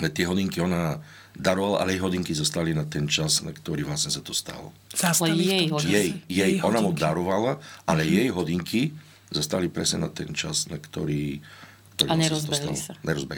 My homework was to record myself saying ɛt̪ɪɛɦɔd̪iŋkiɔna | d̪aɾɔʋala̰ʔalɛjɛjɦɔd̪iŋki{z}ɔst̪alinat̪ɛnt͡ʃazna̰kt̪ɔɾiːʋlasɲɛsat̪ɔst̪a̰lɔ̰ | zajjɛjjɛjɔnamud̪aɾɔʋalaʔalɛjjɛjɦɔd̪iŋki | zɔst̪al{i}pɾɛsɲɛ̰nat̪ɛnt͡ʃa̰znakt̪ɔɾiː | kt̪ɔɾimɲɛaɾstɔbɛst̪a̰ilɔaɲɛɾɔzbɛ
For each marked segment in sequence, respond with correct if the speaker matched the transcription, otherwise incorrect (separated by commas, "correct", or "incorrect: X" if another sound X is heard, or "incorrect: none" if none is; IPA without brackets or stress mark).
correct, correct